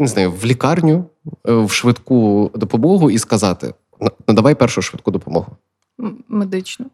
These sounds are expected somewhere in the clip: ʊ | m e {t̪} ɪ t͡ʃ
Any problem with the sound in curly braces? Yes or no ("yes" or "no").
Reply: yes